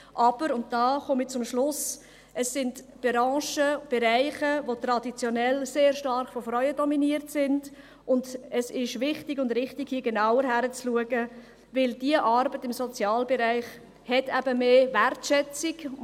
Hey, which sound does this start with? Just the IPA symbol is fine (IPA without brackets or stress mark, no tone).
ʔ